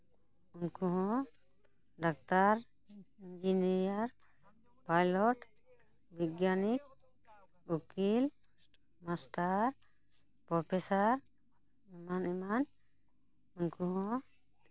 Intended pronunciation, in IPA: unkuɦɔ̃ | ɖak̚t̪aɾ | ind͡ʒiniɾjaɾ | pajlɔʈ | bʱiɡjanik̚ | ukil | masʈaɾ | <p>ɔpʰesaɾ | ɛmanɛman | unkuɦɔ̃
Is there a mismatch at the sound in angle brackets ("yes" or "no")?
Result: no